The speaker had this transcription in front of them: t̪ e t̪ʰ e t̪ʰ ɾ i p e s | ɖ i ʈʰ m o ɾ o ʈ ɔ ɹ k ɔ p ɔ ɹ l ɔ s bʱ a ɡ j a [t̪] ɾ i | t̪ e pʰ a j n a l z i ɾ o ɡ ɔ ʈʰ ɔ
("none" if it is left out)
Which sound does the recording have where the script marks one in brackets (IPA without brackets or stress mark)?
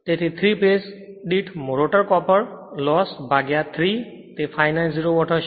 t̪ʰ